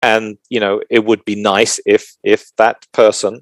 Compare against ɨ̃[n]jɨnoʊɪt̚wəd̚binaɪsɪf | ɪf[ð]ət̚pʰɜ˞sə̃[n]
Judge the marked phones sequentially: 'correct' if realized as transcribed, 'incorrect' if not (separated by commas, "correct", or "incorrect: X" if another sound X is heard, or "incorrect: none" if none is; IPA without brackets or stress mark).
correct, correct, correct